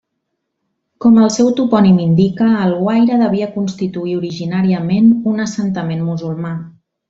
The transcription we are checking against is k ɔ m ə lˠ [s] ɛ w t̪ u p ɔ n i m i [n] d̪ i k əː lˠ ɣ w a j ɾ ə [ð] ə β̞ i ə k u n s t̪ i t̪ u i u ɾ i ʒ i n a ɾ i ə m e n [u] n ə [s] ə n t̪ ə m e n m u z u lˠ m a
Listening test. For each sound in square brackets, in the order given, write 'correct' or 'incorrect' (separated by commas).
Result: correct, correct, correct, correct, correct